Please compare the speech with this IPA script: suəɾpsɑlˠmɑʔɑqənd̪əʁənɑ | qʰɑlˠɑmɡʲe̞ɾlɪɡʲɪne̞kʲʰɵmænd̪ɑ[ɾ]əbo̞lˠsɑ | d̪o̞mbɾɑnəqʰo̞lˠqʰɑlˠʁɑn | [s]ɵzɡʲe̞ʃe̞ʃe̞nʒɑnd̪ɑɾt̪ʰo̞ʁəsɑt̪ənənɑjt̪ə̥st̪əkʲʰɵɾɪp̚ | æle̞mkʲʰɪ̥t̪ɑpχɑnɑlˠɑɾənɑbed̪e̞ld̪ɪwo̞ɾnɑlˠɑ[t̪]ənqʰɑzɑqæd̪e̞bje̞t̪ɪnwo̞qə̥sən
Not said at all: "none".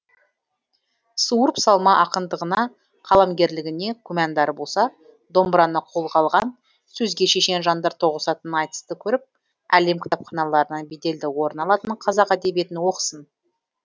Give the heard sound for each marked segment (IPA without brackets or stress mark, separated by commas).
ɾ, s, t̪